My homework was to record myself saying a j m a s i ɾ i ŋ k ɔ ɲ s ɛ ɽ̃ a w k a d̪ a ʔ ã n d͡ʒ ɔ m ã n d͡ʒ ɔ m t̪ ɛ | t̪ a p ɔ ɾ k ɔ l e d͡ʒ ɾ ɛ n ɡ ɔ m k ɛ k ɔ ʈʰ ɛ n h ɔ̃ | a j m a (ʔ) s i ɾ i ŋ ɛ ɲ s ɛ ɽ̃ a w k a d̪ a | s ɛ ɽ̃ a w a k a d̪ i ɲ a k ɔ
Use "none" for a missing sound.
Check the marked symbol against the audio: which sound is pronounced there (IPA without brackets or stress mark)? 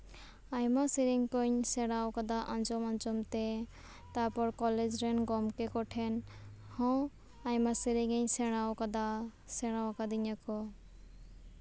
none